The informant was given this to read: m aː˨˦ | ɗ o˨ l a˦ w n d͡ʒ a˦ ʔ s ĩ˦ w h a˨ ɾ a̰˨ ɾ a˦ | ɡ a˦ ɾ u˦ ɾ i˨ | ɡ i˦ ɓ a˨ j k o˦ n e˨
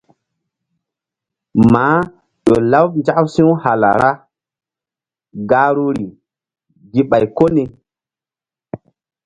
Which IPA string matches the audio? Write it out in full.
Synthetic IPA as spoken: m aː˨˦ | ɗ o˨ l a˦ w n d͡ʒ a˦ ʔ s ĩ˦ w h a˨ l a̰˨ ɾ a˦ | ɡ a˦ ɾ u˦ ɾ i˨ | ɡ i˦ ɓ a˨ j k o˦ n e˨